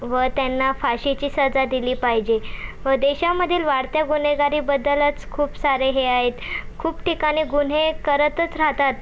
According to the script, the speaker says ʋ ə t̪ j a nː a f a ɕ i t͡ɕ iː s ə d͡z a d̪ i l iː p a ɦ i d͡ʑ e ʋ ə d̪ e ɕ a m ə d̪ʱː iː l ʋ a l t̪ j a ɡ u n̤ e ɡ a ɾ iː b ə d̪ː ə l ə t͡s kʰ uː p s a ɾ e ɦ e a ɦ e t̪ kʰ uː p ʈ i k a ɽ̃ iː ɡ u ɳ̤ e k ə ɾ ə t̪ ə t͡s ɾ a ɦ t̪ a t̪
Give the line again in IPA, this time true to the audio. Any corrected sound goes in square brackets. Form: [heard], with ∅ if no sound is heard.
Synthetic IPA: ʋ ə t̪ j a nː a f a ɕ i t͡ɕ iː s ə d͡z a d̪ i l iː p a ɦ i d͡ʑ e ʋ ə d̪ e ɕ a m ə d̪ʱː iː l ʋ a [ɽ] t̪ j a ɡ u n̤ e ɡ a ɾ iː b ə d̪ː ə l ə t͡s kʰ uː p s a ɾ e ɦ e a ɦ e t̪ kʰ uː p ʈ i k a ɽ̃ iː ɡ u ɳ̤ e k ə ɾ ə t̪ ə t͡s ɾ a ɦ t̪ a t̪